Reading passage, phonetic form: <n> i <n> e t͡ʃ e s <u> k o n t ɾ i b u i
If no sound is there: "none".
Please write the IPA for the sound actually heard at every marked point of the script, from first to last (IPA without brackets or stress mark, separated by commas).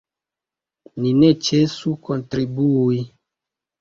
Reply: n, n, u